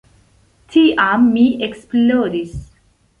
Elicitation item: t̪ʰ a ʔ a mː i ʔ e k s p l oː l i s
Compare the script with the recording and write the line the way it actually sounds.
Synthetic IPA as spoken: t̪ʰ i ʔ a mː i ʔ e k s p l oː ɾ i s

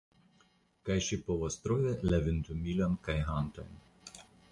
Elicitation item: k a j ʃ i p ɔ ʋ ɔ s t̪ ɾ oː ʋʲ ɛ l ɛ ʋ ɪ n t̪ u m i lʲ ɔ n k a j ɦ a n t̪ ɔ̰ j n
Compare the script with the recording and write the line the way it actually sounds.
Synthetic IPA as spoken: k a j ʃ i p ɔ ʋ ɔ s t̪ ɾ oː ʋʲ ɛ l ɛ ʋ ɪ n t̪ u m i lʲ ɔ n k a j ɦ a n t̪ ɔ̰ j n

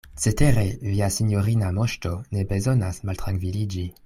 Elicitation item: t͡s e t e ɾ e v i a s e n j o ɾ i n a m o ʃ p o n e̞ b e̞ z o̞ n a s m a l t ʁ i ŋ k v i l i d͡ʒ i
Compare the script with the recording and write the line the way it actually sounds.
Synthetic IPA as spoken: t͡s e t e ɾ e v i a s i n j o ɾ i n a m o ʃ t o n e̞ b e̞ z o̞ n a s m a l t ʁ a ŋ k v i l i d͡ʒ i

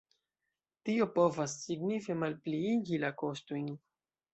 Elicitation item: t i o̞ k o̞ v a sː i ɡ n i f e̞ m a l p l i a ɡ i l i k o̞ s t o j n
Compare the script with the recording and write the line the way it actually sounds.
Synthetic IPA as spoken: t i o̞ p o̞ v a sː i ɡ n i f e̞ m a l p l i i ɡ i l a k o̞ s t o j n

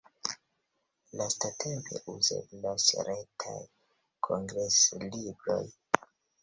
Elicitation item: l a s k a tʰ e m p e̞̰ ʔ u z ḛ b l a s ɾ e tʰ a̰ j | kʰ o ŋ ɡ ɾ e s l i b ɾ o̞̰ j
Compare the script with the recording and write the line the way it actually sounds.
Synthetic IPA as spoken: l a s t a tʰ e m p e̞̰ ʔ u z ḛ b l a s ɾ e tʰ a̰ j | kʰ o ŋ ɡ ɾ e s l i b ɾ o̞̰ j

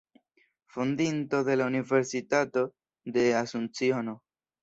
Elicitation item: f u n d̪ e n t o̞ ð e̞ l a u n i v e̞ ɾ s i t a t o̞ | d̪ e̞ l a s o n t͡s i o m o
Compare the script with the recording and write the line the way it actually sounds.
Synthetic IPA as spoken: f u n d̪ i n t o̞ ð e̞ l a u n i v e̞ ɾ s i t a t o̞ | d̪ e̞ a s u n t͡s i o n o

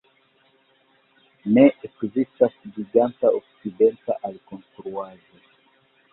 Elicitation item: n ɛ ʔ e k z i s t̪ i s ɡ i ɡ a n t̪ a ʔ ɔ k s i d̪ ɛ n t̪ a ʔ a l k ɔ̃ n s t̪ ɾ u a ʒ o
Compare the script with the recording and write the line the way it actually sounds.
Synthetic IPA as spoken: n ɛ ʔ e k z i s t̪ a s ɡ i ɡ a n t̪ a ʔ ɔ k s i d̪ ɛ n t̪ a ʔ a l k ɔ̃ n s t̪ ɾ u a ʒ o

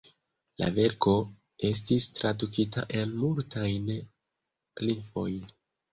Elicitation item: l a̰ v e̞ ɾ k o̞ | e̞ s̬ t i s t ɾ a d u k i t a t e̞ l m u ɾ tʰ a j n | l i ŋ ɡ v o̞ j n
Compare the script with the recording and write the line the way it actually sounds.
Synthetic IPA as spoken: l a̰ v e̞ ɾ k o̞ | e̞ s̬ t i s t ɾ a d u k i t a ʔ e̞ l m u l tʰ a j n | l i ŋ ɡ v o̞ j n

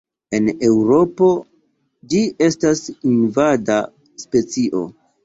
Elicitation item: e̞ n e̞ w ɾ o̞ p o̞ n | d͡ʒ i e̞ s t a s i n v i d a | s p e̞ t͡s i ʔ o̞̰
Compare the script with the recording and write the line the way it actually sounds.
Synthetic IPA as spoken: e̞ n e̞ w ɾ o̞ p o̞ | d͡ʒ i e̞ s t a s i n v a d a | s p e̞ t͡s i ʔ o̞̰

